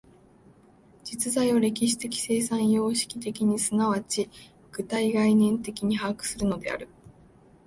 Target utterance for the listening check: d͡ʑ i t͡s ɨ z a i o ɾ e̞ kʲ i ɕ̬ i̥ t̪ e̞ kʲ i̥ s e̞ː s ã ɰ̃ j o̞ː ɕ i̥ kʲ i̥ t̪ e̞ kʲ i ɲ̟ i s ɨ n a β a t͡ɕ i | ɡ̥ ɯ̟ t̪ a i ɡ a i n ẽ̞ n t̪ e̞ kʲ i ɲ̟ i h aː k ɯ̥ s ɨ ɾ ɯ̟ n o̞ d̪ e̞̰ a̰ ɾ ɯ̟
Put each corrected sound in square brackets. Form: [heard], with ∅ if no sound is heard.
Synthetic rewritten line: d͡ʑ i t͡s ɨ z a i o ɾ e̞ kʲ i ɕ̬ i̥ t̪ e̞ kʲ i̥ s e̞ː s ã ɰ̃ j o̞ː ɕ i̥ kʲ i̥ t̪ e̞ kʲ i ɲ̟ i s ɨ n a β a t͡ɕ i | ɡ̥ ɯ̟ t̪ a i ɡ a i n ẽ̞ n t̪ e̞ kʲ i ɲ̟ i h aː k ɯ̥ s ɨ ɾ ɯ̟ n o̞ d̪ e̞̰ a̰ ɾ ɯ̟